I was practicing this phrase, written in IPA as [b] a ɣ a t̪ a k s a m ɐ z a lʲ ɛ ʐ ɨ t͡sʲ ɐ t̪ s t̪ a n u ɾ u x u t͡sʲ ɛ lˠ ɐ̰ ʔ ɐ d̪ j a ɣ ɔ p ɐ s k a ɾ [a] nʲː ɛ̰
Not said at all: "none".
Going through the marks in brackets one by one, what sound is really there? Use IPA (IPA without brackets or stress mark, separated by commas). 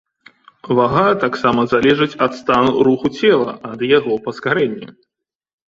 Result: v, ɛ